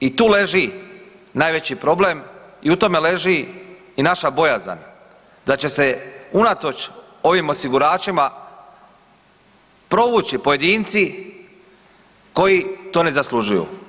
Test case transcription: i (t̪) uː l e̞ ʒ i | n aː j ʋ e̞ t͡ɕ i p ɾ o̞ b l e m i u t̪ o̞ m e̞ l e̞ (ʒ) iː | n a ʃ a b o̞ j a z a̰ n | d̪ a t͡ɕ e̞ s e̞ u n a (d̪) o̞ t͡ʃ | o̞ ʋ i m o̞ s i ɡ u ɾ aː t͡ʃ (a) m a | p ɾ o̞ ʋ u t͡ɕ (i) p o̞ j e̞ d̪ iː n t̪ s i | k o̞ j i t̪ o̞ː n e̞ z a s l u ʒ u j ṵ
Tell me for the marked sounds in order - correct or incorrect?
correct, correct, incorrect, incorrect, correct

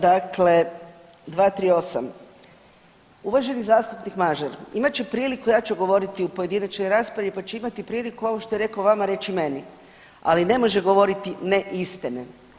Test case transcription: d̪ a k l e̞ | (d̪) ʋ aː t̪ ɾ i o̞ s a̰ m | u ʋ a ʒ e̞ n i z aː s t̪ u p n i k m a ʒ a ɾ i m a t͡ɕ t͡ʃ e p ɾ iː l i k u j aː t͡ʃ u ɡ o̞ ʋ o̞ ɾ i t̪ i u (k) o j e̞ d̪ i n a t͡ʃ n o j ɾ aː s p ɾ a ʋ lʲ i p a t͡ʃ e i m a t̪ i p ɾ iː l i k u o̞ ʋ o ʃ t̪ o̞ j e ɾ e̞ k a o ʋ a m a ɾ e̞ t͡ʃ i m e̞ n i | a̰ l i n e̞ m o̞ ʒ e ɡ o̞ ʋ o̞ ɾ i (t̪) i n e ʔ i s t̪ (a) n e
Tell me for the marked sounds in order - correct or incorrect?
correct, incorrect, correct, incorrect

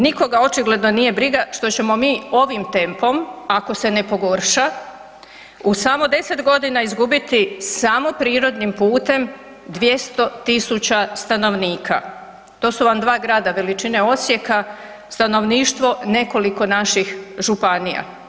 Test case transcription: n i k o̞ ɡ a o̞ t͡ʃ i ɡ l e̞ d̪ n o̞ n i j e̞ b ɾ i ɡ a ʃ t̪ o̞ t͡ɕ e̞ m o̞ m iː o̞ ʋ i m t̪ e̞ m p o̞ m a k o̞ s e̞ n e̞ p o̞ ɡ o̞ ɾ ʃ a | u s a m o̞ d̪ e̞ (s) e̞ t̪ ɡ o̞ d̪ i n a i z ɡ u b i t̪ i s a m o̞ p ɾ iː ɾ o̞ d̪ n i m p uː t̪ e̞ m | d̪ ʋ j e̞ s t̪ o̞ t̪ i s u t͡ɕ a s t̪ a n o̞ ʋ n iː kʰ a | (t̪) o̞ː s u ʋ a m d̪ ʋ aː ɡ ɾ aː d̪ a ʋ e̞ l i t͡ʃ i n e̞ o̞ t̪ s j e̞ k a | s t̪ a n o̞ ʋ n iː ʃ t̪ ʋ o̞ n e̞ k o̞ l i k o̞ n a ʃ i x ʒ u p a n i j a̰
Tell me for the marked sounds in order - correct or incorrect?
correct, correct

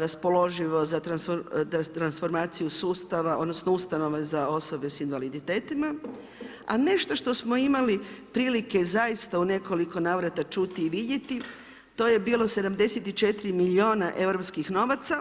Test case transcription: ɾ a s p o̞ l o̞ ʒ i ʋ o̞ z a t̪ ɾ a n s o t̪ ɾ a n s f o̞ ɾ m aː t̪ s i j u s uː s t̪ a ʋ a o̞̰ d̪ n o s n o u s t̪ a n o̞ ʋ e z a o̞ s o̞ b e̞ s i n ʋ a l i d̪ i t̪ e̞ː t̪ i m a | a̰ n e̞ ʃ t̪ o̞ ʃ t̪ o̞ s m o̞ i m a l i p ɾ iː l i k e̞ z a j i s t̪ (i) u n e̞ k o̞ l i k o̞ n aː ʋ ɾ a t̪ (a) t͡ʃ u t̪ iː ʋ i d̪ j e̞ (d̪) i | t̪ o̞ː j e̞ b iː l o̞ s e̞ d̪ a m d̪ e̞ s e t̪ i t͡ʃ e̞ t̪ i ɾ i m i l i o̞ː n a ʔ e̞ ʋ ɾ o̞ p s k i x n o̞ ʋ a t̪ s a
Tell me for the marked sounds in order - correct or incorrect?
incorrect, correct, incorrect

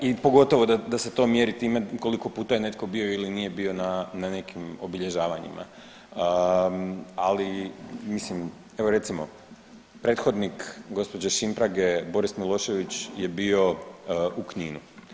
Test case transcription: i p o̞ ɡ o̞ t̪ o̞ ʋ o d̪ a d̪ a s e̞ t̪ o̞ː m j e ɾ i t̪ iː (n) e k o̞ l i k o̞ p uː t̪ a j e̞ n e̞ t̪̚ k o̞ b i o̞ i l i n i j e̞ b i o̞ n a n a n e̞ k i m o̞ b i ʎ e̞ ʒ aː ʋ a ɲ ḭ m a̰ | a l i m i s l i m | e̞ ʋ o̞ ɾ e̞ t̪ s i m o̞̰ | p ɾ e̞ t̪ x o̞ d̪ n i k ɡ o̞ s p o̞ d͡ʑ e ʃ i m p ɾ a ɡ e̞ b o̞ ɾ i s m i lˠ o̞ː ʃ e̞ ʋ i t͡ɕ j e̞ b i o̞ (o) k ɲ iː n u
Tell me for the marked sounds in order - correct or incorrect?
incorrect, incorrect

